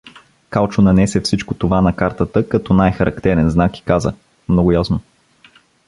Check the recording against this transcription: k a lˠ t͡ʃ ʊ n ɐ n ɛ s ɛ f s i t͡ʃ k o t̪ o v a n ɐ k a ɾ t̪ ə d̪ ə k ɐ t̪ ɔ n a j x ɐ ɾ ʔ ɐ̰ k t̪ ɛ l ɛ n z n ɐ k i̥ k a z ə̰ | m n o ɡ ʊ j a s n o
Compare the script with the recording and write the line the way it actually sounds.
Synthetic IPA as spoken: k a lˠ t͡ʃ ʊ n ɐ n ɛ s ɛ f s i t͡ʃ k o t̪ o v a n ɐ k a ɾ t̪ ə t̪ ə k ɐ t̪ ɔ n a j x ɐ ɾ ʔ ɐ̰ k t̪ ɛ ɾ ɛ n z n a k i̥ k a z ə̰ | m n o ɡ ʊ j a s n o